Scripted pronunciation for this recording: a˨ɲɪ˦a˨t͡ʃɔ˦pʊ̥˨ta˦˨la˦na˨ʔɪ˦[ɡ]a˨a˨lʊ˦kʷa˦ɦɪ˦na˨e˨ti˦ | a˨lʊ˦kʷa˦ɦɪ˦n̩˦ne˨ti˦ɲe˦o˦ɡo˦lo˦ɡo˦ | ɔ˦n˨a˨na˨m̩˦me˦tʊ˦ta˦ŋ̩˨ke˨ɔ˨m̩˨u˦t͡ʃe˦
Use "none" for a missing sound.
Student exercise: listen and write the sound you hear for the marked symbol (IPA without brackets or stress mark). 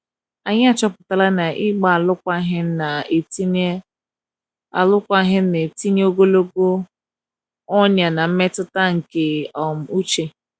ɡ͡b